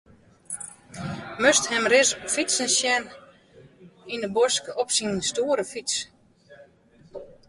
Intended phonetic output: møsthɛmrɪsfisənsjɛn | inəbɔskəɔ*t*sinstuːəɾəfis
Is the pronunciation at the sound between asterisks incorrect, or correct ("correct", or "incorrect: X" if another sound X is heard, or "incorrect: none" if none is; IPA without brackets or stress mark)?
incorrect: p